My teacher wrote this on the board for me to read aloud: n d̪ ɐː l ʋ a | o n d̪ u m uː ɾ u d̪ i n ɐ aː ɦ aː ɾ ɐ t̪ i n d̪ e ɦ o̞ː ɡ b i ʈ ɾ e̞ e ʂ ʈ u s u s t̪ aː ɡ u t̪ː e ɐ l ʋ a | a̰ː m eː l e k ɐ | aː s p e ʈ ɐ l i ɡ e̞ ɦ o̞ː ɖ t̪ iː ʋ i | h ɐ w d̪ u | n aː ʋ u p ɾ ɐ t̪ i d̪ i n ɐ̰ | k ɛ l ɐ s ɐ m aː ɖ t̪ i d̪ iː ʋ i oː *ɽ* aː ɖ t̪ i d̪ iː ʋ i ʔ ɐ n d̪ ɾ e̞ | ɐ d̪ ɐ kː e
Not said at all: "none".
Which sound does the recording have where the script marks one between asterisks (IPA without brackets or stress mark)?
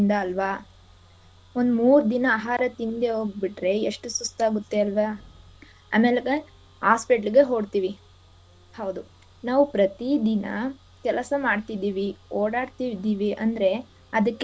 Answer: ɽ